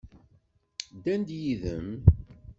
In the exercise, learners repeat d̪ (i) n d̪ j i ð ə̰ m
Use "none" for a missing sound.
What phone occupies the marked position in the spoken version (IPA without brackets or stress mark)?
æ